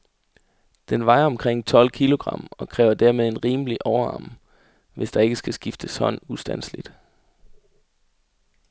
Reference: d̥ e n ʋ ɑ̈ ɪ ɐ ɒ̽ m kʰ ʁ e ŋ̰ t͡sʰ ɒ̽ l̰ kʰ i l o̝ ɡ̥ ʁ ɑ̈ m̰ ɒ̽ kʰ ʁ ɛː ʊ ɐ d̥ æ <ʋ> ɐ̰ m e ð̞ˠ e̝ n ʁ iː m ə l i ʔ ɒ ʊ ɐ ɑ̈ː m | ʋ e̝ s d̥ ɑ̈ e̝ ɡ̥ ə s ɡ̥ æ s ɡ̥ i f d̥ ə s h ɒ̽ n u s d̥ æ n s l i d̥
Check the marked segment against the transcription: incorrect: none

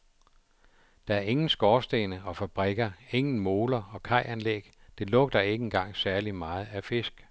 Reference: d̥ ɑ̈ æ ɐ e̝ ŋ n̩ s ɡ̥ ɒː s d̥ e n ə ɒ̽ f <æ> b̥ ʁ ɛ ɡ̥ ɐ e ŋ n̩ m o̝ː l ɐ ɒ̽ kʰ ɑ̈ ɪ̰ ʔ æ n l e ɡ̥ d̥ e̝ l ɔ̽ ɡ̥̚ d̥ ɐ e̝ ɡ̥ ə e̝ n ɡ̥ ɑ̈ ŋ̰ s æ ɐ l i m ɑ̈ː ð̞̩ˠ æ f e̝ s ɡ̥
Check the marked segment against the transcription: correct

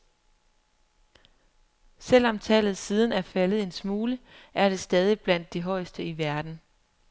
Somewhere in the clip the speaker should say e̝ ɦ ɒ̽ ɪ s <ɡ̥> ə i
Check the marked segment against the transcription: incorrect: d̥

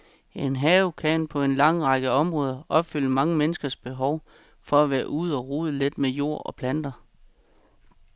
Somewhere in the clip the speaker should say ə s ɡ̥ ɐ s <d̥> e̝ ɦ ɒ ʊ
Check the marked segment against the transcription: incorrect: b̥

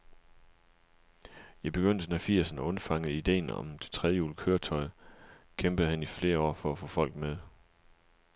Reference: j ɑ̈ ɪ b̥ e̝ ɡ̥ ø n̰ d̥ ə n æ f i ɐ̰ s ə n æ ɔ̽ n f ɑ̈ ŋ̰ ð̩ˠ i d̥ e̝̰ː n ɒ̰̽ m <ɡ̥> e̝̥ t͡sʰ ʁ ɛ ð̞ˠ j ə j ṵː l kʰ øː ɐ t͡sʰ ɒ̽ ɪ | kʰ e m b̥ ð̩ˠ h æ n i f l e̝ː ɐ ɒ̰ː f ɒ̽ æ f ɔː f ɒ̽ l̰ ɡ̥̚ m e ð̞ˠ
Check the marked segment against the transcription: incorrect: d̥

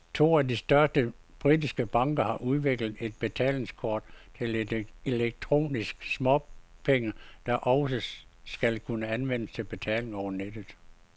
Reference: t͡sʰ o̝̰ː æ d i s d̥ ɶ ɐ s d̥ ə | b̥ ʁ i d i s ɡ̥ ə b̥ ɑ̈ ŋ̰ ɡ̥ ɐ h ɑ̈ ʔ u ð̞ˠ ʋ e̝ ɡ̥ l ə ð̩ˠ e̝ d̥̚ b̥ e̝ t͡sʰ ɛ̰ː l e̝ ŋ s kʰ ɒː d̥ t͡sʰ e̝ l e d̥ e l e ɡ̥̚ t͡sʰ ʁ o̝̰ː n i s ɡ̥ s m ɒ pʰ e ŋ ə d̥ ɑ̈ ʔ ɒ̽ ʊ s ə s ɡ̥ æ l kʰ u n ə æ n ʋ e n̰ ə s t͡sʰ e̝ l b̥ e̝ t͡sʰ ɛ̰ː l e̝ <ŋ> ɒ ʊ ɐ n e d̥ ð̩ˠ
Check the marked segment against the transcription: correct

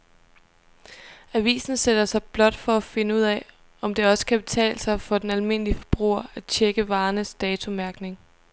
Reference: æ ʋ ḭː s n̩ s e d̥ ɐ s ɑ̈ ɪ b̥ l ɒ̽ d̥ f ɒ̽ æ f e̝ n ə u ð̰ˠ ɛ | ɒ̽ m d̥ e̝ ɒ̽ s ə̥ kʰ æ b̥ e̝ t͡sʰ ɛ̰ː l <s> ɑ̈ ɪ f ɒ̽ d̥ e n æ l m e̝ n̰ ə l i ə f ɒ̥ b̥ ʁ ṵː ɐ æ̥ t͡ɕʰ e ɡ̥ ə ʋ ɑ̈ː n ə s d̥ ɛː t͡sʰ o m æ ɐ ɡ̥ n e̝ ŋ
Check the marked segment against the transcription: correct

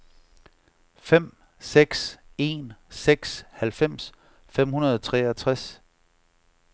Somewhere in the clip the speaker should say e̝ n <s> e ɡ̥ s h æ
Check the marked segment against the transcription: correct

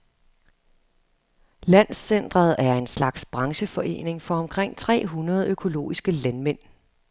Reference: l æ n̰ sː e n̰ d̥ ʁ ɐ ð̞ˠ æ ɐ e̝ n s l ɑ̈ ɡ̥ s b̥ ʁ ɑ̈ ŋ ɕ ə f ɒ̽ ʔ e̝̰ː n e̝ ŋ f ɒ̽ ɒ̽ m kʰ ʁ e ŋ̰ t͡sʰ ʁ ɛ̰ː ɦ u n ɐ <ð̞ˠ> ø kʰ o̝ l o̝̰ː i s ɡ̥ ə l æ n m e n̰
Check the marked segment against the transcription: correct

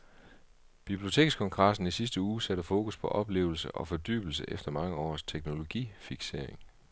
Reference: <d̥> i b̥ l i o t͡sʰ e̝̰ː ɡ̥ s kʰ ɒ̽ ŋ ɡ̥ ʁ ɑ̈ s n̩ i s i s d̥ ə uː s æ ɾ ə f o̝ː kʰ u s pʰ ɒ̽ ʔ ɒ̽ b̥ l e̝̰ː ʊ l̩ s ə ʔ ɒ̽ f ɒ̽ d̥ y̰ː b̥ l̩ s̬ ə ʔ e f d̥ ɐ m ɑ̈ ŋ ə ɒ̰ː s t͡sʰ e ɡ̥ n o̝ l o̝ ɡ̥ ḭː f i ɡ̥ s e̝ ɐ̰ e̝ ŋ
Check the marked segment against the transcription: incorrect: b̥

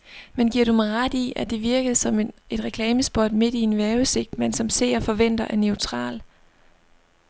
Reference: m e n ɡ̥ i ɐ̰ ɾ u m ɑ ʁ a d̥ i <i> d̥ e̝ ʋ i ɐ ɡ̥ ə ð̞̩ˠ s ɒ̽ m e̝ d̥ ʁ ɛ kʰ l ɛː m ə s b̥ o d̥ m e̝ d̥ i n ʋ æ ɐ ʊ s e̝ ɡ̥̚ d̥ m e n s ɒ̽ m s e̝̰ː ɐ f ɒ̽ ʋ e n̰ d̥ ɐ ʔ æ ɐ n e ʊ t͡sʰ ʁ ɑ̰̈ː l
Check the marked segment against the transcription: incorrect: æ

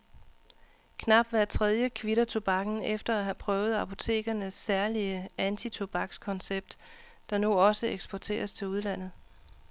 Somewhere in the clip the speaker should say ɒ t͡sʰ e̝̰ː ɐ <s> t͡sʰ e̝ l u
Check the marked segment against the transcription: correct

